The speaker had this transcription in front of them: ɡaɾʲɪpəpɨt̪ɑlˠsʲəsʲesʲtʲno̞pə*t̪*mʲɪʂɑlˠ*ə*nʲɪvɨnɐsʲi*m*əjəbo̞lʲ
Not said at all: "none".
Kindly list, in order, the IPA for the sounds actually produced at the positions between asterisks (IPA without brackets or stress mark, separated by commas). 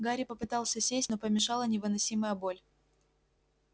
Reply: none, ə, m